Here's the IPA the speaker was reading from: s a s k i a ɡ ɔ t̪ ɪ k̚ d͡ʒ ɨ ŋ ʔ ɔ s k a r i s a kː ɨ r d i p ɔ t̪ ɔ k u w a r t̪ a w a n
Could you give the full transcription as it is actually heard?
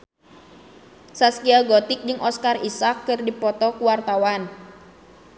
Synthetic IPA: s a s k i a ɡ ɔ t̪ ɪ k̚ d͡ʒ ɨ ŋ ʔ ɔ s k a r i s a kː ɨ r d i p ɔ t̪ ɔ k u w a r t̪ a w a n